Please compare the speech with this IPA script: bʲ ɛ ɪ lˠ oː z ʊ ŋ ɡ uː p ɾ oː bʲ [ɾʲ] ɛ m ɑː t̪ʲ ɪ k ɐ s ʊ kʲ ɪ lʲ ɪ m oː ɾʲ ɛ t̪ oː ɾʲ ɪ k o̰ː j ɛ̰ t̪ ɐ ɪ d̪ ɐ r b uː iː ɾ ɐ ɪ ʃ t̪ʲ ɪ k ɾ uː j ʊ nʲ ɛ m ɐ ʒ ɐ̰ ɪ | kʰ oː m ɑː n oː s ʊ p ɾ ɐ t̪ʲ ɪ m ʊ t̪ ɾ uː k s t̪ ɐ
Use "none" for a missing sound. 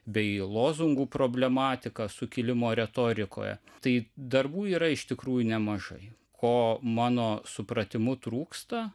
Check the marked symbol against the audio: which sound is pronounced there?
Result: lʲ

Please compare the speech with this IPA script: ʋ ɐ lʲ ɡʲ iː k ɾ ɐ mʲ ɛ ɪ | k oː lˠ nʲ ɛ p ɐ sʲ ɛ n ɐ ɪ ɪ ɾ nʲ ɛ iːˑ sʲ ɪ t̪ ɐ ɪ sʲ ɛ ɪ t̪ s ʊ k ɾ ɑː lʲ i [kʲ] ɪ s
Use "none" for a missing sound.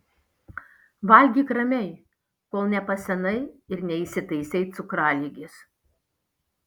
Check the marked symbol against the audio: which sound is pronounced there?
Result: ɡʲ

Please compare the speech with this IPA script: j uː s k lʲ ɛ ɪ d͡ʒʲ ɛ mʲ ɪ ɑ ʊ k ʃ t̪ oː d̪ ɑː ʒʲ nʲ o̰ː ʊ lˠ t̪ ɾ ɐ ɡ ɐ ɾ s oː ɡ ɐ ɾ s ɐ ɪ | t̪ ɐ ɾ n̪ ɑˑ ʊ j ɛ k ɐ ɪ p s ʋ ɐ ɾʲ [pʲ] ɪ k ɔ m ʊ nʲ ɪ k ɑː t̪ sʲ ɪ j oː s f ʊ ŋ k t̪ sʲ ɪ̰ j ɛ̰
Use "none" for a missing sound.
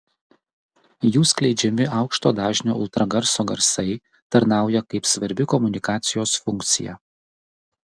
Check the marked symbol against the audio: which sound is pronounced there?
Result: bʲ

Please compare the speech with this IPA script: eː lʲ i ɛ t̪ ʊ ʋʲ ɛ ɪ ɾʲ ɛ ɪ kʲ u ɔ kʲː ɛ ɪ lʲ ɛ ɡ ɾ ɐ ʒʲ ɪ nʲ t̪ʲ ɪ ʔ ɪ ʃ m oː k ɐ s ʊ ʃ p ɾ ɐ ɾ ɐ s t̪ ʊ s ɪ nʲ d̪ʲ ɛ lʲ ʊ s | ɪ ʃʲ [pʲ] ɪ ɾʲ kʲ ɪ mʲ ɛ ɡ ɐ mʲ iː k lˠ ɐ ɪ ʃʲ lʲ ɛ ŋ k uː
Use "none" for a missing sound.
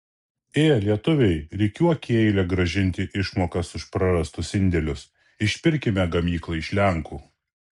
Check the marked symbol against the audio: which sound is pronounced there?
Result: pʲ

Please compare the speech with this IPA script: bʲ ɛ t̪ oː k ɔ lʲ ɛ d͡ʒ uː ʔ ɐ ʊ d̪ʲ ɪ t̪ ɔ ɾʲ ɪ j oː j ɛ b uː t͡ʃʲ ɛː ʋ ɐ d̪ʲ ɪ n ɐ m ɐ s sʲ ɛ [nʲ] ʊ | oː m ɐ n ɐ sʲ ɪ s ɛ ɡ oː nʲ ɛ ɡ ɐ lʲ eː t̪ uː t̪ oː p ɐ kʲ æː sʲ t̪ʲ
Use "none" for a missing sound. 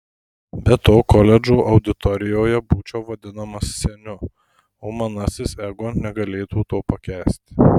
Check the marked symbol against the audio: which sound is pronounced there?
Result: nʲ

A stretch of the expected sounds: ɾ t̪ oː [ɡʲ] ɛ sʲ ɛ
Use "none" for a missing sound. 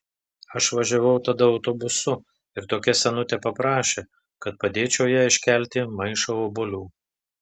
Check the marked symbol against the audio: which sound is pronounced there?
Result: kʲ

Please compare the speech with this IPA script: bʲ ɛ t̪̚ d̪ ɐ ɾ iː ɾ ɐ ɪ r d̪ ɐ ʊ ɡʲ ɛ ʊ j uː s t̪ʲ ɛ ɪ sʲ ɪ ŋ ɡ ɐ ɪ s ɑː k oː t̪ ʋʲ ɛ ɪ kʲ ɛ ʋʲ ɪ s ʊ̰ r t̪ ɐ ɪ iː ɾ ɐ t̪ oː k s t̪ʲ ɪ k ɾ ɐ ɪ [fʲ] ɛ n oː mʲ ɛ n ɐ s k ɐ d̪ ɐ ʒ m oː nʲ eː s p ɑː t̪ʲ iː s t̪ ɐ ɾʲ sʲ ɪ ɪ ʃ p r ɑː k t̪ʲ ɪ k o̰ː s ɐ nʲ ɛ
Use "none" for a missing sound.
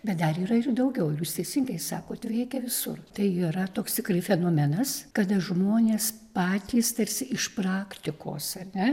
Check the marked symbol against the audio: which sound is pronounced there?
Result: fʲ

